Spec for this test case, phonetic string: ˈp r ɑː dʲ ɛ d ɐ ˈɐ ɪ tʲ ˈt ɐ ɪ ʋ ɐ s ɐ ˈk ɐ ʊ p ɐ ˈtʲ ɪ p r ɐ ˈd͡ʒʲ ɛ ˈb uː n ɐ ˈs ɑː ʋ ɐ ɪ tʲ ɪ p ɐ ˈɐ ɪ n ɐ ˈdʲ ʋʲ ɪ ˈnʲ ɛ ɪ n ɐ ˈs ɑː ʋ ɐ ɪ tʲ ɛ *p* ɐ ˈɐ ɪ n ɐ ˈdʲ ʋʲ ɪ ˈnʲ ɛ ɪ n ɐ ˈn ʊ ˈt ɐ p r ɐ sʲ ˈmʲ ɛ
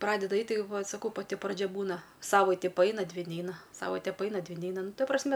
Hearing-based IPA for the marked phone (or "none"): p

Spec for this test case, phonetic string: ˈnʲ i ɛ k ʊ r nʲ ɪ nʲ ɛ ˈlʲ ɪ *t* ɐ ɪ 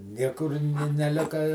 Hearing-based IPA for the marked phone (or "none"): k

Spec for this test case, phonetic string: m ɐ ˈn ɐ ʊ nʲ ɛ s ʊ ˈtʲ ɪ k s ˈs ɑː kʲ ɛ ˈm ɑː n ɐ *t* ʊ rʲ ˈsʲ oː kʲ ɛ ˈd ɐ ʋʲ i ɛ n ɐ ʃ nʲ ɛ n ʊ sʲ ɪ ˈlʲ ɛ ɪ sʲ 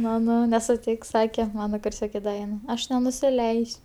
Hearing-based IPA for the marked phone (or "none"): k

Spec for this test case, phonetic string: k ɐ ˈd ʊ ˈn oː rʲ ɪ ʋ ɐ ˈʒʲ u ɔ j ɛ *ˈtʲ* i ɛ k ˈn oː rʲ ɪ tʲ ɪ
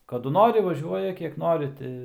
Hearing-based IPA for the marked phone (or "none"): kʲ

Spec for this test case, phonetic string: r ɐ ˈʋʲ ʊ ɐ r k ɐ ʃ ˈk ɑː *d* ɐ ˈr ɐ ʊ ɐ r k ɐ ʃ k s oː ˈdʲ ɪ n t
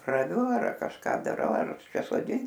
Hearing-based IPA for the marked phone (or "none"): d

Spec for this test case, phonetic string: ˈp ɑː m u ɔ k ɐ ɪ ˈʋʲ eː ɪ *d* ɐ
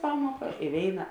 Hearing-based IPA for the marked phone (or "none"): n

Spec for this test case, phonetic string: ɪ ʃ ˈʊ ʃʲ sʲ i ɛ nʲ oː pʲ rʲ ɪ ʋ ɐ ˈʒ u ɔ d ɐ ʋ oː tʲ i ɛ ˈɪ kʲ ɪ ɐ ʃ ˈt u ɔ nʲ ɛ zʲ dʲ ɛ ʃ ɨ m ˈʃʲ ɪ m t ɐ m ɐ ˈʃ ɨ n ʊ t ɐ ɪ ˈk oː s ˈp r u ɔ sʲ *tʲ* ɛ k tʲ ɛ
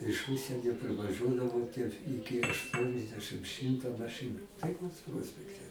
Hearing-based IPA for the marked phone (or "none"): pʲ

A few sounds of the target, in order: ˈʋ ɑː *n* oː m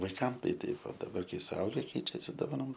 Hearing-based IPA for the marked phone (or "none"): n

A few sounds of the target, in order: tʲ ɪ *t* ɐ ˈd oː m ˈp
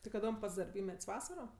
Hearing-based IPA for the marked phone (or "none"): k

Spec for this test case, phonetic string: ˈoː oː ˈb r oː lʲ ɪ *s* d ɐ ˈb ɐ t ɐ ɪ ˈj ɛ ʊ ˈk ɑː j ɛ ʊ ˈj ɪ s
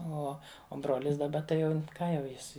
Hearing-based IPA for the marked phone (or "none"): s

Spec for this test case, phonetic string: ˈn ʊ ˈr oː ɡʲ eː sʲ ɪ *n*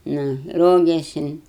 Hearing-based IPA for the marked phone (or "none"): n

